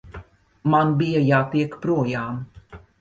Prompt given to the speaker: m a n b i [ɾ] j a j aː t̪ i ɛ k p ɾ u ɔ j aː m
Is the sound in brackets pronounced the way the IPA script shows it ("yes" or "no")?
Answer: no